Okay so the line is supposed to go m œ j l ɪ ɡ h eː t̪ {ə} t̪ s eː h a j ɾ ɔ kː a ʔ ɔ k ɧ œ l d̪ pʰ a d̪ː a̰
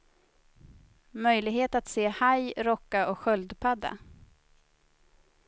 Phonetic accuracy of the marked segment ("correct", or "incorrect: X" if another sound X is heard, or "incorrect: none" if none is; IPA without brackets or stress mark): incorrect: a